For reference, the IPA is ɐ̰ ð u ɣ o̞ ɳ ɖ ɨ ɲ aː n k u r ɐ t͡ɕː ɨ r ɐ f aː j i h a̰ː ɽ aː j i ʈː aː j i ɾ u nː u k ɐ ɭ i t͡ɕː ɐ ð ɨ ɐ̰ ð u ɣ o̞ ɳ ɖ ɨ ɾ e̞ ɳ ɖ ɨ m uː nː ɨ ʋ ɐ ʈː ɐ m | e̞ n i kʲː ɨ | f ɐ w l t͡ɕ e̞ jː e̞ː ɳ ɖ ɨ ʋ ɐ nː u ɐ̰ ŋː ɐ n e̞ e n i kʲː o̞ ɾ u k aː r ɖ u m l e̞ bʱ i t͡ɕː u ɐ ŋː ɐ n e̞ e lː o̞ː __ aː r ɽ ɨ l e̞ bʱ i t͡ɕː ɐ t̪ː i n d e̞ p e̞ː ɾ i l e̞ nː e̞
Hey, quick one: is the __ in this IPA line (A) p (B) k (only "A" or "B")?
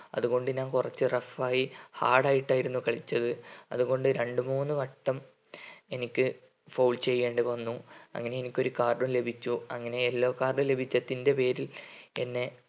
B